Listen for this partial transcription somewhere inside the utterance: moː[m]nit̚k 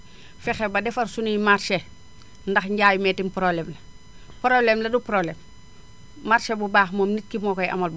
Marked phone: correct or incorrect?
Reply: correct